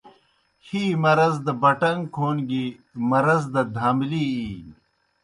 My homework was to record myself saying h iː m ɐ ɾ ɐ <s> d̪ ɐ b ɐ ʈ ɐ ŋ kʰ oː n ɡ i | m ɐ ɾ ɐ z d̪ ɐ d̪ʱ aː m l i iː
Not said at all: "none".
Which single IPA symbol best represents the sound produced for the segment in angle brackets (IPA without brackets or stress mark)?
z